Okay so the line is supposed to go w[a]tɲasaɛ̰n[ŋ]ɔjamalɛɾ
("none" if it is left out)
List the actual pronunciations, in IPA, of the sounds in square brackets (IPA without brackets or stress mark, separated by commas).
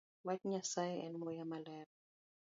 a, m